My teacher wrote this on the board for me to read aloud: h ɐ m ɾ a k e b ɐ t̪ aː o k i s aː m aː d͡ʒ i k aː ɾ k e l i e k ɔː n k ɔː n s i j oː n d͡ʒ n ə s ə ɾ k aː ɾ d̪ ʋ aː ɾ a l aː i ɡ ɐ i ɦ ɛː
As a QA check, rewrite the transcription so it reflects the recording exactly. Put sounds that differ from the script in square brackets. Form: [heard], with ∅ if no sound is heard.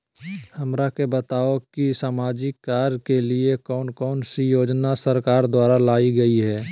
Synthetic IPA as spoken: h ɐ m ɾ a k e b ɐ t̪ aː o k i s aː m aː d͡ʒ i k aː ɾ k e l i e k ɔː n k ɔː n s i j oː [∅] d͡ʒ n [a] s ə ɾ k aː ɾ d̪ [w] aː ɾ a l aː i ɡ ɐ i ɦ ɛː